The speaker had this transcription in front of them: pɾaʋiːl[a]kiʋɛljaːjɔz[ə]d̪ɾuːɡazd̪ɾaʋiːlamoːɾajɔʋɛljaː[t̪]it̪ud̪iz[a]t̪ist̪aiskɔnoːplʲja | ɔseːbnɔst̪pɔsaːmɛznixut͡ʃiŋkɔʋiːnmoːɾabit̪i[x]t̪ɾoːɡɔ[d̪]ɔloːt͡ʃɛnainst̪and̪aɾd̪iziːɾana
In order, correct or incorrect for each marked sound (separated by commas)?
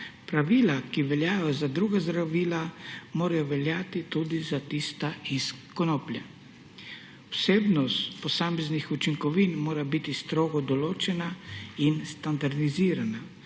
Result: correct, incorrect, correct, correct, incorrect, correct